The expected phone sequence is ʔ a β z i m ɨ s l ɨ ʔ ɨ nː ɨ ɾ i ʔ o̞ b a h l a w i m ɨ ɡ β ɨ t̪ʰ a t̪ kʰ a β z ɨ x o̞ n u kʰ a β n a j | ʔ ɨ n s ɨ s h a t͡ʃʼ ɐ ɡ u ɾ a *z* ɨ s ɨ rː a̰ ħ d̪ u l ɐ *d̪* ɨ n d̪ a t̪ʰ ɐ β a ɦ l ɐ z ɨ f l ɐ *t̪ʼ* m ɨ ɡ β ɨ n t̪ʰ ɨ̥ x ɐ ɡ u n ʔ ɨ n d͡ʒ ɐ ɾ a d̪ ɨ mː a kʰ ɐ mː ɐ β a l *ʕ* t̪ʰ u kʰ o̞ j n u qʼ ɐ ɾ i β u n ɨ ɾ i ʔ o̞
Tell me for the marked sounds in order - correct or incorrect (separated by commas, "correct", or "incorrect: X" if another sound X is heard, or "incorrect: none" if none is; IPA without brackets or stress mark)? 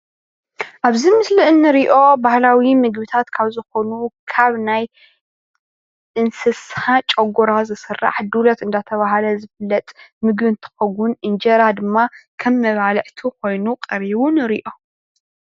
correct, incorrect: t̪, correct, correct